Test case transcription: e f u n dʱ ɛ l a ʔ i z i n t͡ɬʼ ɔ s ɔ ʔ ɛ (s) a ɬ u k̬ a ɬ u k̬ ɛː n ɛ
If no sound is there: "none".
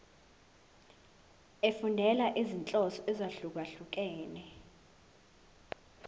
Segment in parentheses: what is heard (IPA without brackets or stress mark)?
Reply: z